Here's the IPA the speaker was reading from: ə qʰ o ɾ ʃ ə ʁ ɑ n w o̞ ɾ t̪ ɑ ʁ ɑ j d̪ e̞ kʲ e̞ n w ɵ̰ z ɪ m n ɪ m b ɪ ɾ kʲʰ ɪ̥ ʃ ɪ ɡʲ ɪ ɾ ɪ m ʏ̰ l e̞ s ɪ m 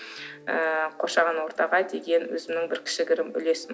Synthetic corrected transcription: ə qʰ o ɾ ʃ ɑ ʁ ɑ n w o̞ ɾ t̪ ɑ ʁ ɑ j d̪ e̞ ɡʲ e̞ n w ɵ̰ z ɪ m n ɪ ŋ b ɪ ɾ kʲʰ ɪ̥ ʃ ɪ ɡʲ ɪ ɾ ɪ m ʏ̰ l e̞ s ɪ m